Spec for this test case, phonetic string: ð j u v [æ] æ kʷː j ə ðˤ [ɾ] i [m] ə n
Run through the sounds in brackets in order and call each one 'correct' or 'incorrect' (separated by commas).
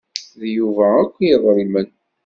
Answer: correct, correct, correct